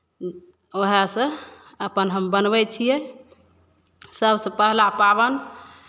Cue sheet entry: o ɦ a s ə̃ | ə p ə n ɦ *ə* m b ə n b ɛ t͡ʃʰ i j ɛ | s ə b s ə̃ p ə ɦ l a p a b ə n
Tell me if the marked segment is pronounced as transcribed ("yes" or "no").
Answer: yes